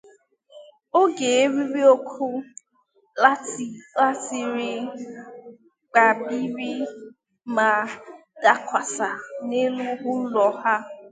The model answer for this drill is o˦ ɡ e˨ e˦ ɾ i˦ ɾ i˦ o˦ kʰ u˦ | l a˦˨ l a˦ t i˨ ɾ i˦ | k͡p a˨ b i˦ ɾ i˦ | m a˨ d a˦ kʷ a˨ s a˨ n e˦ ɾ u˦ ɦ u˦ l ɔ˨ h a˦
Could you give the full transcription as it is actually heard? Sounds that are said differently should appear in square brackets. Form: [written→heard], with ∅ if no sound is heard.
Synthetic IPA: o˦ ɡ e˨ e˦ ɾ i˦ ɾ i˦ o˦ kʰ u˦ | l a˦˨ l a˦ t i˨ ɾ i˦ | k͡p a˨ b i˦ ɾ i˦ | m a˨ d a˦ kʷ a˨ s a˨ n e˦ [ɾ→l] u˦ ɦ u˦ l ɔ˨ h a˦